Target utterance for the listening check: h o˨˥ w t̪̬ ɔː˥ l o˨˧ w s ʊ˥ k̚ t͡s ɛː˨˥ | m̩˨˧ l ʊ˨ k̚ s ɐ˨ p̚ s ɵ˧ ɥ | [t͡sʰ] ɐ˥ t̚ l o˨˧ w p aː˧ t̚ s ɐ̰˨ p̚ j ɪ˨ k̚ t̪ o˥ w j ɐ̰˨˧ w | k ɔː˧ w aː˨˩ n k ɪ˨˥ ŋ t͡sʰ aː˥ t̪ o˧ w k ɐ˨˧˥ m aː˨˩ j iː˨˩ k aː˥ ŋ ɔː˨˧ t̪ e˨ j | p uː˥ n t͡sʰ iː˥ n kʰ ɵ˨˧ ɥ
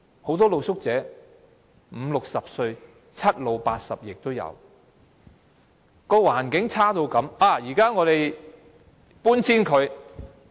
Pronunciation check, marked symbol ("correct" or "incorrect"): correct